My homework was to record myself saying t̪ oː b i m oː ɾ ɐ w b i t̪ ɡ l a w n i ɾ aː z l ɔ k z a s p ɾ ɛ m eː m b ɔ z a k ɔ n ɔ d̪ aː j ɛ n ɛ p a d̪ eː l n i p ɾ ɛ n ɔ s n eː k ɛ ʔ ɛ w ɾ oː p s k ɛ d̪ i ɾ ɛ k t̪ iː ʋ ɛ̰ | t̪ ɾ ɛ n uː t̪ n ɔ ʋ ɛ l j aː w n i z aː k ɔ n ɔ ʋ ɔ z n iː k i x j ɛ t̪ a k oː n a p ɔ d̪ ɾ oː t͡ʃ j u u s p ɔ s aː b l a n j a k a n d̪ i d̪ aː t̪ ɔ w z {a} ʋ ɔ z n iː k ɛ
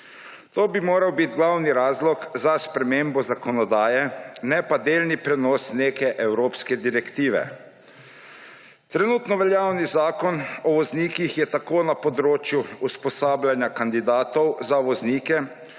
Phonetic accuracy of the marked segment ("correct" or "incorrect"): correct